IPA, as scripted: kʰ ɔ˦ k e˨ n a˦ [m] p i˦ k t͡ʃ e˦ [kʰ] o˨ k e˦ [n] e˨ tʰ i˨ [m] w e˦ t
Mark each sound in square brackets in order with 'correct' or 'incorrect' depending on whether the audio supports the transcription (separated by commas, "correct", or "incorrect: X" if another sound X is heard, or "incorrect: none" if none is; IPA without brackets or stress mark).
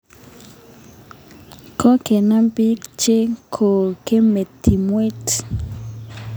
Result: correct, correct, incorrect: m, correct